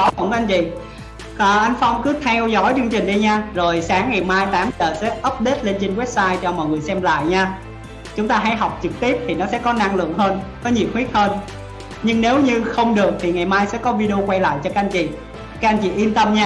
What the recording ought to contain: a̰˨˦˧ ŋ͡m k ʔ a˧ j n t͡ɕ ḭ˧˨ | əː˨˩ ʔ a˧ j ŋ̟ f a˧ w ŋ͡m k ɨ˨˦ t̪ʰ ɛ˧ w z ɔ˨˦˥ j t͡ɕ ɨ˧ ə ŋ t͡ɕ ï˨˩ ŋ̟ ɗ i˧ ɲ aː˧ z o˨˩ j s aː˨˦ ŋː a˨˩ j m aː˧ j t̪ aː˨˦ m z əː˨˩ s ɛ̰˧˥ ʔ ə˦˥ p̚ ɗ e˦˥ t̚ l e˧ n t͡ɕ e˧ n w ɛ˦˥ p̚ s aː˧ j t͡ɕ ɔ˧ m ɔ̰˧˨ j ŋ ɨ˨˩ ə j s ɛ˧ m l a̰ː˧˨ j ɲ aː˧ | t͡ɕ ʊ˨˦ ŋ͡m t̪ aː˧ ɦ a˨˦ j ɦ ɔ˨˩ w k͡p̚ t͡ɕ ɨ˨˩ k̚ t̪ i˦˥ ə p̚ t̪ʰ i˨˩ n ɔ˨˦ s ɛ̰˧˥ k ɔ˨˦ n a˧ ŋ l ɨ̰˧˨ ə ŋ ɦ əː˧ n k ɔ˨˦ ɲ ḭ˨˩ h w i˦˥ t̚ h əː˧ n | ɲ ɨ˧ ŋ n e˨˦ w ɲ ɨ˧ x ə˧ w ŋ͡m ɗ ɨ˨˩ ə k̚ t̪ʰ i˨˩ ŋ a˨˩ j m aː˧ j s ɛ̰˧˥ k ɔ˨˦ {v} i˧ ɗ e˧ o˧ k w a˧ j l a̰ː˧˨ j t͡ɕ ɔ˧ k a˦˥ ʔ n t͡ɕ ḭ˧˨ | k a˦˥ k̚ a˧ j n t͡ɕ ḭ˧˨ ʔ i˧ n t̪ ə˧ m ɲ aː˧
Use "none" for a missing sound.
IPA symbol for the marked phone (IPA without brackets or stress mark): v